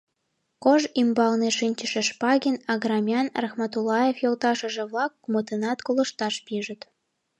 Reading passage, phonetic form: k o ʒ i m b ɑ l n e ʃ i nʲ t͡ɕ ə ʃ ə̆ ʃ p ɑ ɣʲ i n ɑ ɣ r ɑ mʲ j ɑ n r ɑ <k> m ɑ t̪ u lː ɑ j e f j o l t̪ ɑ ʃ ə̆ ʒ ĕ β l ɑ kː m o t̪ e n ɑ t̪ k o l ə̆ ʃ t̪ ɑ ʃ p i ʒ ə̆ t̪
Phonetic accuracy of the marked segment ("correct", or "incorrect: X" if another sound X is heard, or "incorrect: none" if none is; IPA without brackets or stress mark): incorrect: x